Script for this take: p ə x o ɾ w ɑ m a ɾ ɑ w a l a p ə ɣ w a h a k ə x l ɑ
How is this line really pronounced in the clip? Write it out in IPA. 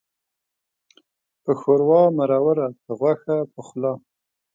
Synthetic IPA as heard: p ə x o ɾ w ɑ m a ɾ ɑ w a ɾ a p ə ɣ w a x a p ə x l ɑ